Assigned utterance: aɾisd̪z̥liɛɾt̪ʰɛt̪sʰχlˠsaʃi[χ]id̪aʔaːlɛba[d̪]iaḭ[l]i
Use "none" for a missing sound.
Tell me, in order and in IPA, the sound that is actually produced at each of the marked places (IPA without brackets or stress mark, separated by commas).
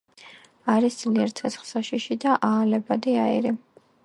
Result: ʃ, d̪, ɾ